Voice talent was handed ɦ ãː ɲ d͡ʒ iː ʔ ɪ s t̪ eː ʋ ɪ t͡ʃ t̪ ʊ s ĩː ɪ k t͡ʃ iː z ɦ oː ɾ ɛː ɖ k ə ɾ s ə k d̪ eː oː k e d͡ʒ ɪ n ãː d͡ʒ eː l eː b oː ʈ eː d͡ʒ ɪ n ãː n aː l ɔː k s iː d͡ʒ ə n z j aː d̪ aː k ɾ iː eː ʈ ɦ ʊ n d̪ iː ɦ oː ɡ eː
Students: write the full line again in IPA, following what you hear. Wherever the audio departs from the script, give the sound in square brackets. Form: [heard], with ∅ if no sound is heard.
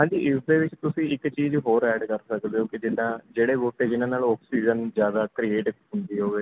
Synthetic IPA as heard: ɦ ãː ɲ d͡ʒ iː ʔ ɪ s [d̪] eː ʋ ɪ t͡ʃ t̪ ʊ s ĩː ɪ k t͡ʃ iː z ɦ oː ɾ ɛː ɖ k ə ɾ s ə k d̪ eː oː k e d͡ʒ ɪ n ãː d͡ʒ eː [ɽ] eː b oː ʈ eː d͡ʒ ɪ n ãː n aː l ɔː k s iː d͡ʒ ə n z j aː d̪ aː k ɾ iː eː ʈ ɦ ʊ n d̪ iː ɦ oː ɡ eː